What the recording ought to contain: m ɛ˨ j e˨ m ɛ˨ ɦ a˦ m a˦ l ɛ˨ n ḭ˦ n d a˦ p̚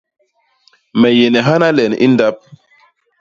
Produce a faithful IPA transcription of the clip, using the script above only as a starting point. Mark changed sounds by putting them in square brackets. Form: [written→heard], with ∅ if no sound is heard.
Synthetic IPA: m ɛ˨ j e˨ [m→n] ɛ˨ ɦ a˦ [m→n] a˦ l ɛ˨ n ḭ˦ n d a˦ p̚